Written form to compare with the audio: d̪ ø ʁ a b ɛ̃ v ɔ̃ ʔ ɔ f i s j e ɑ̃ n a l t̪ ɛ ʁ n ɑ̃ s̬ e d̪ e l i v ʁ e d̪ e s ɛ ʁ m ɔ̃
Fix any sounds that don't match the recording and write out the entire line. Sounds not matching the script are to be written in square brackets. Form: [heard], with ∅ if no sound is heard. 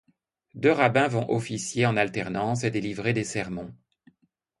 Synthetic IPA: d̪ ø ʁ a b ɛ̃ v ɔ̃ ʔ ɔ f i s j e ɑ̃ n a l t̪ ɛ ʁ n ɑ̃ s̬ e d̪ e l i v ʁ e d̪ e s ɛ ʁ m ɔ̃